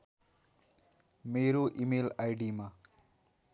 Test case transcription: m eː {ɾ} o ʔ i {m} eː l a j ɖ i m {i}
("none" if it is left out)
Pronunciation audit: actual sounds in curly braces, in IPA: ɾ, m, a

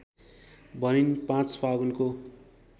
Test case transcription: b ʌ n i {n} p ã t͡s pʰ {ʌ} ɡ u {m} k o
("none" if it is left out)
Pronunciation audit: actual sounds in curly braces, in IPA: n, a, n

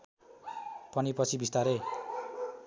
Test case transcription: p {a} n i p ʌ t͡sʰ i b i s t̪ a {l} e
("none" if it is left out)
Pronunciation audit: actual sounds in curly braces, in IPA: ʌ, ɾ

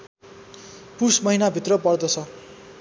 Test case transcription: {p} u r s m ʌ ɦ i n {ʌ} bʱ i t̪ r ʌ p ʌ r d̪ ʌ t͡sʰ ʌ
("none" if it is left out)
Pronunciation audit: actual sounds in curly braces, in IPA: p, a

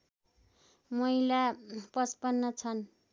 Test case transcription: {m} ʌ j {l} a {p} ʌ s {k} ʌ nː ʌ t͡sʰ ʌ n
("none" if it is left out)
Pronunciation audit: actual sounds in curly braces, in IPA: m, l, p, p

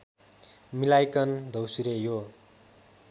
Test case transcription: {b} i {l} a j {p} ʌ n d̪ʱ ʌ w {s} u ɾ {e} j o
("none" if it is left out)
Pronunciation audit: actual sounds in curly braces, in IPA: m, l, k, s, e

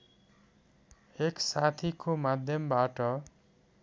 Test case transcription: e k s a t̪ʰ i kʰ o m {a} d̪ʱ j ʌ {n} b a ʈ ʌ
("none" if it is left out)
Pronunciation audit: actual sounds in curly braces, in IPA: a, m

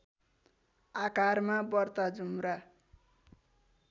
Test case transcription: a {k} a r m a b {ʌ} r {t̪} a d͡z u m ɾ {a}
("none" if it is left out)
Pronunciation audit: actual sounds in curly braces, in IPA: k, ʌ, t̪, a

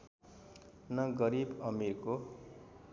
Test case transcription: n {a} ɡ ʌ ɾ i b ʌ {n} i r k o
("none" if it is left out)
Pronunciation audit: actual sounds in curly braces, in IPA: ʌ, m

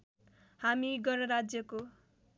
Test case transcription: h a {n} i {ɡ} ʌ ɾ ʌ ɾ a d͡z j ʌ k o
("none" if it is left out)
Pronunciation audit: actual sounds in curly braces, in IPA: m, ɡ

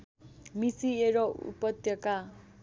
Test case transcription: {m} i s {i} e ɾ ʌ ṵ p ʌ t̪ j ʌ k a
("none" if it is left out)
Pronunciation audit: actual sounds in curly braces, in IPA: m, i

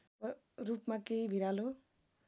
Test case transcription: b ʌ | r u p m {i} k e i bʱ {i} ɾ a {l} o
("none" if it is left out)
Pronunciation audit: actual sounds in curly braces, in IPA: a, i, l

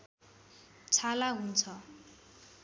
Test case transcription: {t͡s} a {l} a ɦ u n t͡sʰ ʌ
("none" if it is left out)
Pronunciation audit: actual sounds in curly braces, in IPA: t͡sʰ, l

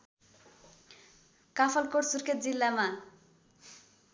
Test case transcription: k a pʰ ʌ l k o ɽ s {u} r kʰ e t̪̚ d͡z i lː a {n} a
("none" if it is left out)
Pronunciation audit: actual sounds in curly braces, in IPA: u, m

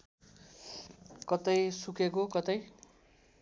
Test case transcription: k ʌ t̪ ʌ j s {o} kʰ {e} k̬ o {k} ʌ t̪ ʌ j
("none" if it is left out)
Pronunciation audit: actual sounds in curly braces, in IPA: u, e, k

